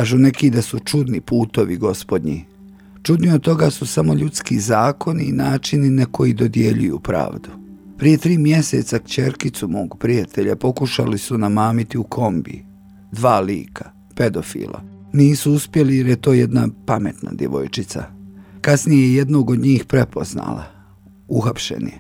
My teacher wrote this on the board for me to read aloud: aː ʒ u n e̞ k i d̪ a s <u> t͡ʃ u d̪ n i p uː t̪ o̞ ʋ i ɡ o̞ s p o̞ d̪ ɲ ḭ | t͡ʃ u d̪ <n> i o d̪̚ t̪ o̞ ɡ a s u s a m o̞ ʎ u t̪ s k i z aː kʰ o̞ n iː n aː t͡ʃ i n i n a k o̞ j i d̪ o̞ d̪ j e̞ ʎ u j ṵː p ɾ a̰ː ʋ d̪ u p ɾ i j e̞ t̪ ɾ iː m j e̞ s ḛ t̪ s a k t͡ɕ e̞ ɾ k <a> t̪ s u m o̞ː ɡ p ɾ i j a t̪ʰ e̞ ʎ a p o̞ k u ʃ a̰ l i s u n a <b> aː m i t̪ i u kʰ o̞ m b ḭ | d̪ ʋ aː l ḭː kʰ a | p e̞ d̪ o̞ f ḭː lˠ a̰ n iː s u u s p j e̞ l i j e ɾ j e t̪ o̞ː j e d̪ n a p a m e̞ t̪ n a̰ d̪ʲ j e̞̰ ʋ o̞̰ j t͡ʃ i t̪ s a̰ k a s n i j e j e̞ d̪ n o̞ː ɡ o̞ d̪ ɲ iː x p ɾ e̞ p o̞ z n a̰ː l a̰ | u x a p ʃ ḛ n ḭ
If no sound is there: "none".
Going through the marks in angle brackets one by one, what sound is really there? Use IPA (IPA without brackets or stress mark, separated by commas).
u, n, i, m